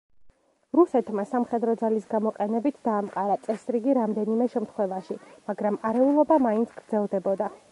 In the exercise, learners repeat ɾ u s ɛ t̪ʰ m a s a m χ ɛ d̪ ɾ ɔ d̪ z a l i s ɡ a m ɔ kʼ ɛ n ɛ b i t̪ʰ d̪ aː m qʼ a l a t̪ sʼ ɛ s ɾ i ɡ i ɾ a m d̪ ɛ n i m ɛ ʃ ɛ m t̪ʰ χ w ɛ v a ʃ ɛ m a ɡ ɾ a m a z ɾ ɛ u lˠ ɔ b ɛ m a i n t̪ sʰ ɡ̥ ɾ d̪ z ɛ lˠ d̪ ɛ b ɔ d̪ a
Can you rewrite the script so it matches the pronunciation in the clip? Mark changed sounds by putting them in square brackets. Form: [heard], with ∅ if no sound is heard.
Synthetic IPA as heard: ɾ u s ɛ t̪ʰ m a s a m χ ɛ d̪ ɾ ɔ d̪ z a l i s ɡ a m ɔ [qʼ] ɛ n ɛ b i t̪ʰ d̪ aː m qʼ a [ɾ] a t̪ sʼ ɛ s ɾ i ɡ i ɾ a m d̪ ɛ n i m ɛ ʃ ɛ m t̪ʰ χ w ɛ v a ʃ [i] m a ɡ ɾ a m a [∅] ɾ ɛ u lˠ ɔ b [a] m a i n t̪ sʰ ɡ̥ ɾ d̪ z ɛ lˠ d̪ ɛ b ɔ d̪ a